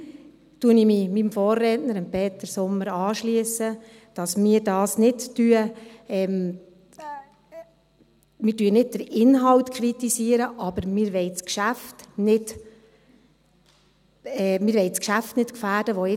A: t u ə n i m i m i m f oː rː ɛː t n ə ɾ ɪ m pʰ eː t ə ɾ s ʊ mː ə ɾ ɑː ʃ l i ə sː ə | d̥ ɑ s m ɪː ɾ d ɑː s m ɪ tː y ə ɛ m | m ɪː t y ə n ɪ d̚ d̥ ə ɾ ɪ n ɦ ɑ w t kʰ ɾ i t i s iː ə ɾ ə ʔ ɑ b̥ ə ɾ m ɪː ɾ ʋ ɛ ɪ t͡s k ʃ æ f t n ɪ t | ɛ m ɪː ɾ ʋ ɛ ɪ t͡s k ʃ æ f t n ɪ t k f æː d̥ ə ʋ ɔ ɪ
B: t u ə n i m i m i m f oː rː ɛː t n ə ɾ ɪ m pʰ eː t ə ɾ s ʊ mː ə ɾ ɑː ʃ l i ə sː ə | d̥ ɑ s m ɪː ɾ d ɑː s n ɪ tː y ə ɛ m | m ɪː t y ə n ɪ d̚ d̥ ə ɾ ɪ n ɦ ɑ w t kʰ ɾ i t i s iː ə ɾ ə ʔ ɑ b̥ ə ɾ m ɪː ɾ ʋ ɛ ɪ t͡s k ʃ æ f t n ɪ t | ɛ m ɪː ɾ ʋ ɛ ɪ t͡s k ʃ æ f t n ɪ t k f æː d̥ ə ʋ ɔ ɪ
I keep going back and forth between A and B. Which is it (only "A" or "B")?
B